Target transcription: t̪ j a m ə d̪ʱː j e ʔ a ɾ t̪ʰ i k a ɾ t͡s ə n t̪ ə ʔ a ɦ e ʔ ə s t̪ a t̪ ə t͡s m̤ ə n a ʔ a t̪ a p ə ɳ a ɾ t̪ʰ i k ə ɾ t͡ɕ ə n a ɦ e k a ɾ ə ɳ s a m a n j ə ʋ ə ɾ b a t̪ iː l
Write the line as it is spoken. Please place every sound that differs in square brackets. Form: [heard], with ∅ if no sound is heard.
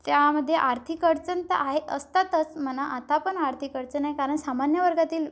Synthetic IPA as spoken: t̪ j a m ə d̪ʱː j e ʔ a ɾ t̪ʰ i k [ə] ɾ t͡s ə n t̪ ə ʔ a ɦ e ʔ ə s t̪ a t̪ ə t͡s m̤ ə n a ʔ a t̪ a p ə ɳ a ɾ t̪ʰ i k ə ɾ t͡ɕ ə n a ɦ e k a ɾ ə ɳ s a m a n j ə ʋ ə ɾ [ɡ] a t̪ iː l